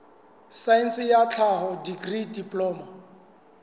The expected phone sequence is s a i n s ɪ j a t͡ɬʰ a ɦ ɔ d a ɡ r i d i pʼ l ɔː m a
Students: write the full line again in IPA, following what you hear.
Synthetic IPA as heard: s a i n s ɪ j a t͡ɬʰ a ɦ ɔ d i ɡ r i d i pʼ l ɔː m a